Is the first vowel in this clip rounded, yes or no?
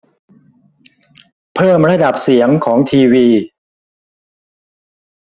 no